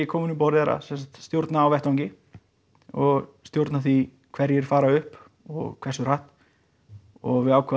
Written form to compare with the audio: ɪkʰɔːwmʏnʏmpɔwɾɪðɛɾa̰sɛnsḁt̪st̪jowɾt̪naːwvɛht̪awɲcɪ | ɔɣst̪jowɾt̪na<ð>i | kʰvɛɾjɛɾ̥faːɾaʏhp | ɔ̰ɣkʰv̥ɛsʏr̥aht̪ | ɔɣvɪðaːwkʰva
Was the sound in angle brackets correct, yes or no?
no